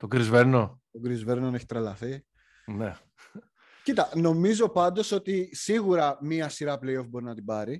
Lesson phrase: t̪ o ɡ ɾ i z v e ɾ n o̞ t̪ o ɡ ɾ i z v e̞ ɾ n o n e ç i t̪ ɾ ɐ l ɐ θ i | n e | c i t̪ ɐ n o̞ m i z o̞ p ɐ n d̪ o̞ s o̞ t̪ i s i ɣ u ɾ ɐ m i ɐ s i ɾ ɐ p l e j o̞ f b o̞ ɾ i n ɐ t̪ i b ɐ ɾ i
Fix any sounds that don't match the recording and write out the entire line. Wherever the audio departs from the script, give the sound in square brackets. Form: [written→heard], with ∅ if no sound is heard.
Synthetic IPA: t̪ o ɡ ɾ i z v e ɾ n o̞ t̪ o ɡ ɾ i z v e̞ ɾ n o n e ç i t̪ ɾ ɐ l ɐ θ i | n e | c i t̪ ɐ n o̞ m i z o̞ p ɐ n d̪ o̞ s o̞ t̪ i s i ɣ u ɾ ɐ m i ɐ s i ɾ ɐ p l e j o̞ f b o̞ ɾ i n ɐ t̪ i b ɐ ɾ i